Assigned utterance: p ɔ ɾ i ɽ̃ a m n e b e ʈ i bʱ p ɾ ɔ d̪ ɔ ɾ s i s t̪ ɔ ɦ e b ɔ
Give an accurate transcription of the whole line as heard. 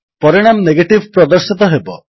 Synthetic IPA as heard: p ɔ ɾ i ɽ̃ a m n e ɡ e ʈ i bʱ p ɾ ɔ d̪ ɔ ɾ s i t̪ ɔ ɦ e b ɔ

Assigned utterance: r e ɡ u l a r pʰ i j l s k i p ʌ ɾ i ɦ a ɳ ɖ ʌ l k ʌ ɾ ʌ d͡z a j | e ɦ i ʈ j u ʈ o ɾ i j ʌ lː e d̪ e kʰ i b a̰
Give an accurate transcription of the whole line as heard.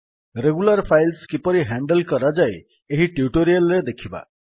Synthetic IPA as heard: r e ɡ u l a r pʰ a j l s k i p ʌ ɾ i ɦ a ɳ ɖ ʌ l k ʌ ɾ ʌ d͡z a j | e ɦ i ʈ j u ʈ o ɾ i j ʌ lː e d̪ e kʰ i b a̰

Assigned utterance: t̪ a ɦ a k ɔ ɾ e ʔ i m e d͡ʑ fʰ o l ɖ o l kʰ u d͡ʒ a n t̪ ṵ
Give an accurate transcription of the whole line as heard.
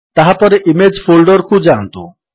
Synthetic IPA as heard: t̪ a ɦ a p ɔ ɾ e ʔ i m e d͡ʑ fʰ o l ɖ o ɾ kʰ u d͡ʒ a n t̪ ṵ

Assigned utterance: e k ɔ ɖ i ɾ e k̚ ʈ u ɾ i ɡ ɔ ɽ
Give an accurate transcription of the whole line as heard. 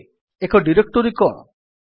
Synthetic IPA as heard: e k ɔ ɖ i ɾ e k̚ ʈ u ɾ i k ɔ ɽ

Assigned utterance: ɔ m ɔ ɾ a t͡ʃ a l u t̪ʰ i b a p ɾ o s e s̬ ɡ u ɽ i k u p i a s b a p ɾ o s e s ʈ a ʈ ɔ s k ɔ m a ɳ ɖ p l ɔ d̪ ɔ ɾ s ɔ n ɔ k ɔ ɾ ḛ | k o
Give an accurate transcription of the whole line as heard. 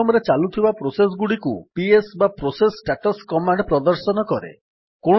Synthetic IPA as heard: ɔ m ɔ ɾ e t͡ʃ a l u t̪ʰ i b a p ɾ o s e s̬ ɡ u ɽ i k u p i e s b a p ɾ o s e s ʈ a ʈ ɔ s k ɔ m a ɳ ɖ p ɾ ɔ d̪ ɔ ɾ s ɔ n ɔ k ɔ ɾ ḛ | k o

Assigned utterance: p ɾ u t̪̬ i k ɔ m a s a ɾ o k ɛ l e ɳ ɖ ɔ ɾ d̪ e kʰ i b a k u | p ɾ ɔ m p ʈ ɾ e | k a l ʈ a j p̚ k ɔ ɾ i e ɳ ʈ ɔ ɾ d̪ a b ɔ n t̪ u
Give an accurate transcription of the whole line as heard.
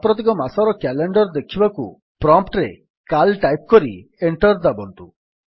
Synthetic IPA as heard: p ɾ ɔ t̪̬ i k ɔ m a s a ɾ ɔ k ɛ l e ɳ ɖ ɔ ɾ d̪ e kʰ i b a k u | p ɾ ɔ m p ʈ ɾ e | k a l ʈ a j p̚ k ɔ ɾ i e ɳ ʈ ɔ ɾ d̪ a b ɔ n t̪ u

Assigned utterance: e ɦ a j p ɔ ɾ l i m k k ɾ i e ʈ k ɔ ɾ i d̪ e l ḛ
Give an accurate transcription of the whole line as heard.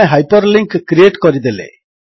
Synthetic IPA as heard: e ɦ a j p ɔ ɾ l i ŋ k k ɾ i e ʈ k ɔ ɾ i d̪ e l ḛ

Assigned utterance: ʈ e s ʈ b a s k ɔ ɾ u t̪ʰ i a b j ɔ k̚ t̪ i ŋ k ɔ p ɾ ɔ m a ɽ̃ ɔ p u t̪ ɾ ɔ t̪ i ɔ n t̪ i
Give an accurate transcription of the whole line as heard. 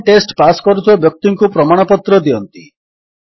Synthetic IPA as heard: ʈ e s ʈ p a s k ɔ ɾ u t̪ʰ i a b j ɔ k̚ t̪ i ŋ k u p ɾ ɔ m a ɽ̃ ɔ p ɔ t̪ ɾ ɔ d̪ i ɔ n t̪ i

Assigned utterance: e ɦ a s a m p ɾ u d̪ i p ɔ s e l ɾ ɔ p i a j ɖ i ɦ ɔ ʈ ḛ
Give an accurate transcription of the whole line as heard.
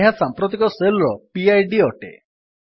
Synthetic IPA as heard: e ɦ a s a m p ɾ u t̪ i k ɔ s e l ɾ ɔ p i a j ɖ i ɔ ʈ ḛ

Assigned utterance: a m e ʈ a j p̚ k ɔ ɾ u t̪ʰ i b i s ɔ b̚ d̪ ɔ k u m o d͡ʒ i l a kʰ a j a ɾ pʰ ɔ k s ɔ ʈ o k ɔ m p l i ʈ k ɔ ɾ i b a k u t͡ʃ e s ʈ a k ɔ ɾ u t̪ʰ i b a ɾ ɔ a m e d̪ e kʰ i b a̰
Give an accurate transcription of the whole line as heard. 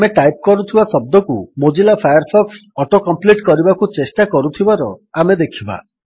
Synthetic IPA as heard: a m e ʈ a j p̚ k ɔ ɾ u t̪ʰ i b a s ɔ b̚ d̪ ɔ k u m o d͡ʒ i l a pʰ a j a ɾ pʰ ɔ k s ɔ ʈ o k ɔ m p l i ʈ k ɔ ɾ i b a k u t͡ʃ e s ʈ a k ɔ ɾ u t̪ʰ i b a ɾ ɔ a m e d̪ e kʰ i b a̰

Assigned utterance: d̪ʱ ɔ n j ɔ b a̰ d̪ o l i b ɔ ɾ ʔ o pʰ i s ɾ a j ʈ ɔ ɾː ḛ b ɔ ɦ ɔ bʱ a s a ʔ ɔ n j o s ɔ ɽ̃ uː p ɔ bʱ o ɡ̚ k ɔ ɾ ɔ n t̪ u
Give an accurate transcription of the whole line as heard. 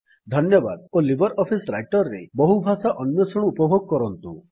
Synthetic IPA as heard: d̪ʱ ɔ n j ɔ b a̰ d̪ o l i b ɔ ɾ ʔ ɔ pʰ i s ɾ a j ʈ ɔ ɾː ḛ b ɔ ɦ u bʱ a s a ʔ ɔ n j ɔ s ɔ ɽ̃ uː p ɔ bʱ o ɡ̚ k ɔ ɾ ɔ n t̪ u

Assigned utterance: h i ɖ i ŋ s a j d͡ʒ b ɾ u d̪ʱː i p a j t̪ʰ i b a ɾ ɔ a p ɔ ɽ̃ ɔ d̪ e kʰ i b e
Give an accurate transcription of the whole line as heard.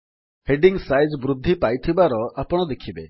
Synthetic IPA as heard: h e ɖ i ŋ s a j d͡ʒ b ɾ u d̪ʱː i p a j t̪ʰ i b a ɾ ɔ a p ɔ ɽ̃ ɔ d̪ e kʰ i b e

